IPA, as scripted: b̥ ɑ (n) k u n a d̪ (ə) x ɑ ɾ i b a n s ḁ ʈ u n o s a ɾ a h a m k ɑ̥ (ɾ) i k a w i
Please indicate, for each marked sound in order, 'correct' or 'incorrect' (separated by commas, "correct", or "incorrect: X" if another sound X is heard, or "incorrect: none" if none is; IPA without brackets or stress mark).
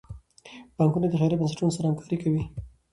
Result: incorrect: ŋ, correct, correct